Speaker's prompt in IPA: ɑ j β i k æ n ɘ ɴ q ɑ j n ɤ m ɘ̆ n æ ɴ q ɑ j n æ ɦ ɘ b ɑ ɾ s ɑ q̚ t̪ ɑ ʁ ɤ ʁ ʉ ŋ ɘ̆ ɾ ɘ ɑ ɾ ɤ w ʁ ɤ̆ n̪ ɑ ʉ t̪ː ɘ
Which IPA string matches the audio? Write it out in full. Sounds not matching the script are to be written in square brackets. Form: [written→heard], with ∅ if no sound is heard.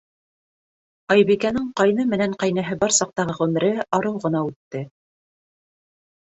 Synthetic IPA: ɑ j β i k æ n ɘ ɴ q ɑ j n ɤ m ɘ̆ n æ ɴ q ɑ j n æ ɦ ɘ b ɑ ɾ s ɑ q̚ t̪ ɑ ʁ ɤ ʁ ʉ [ŋ→m] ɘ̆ ɾ ɘ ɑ ɾ ɤ w ʁ ɤ̆ n̪ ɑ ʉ t̪ː ɘ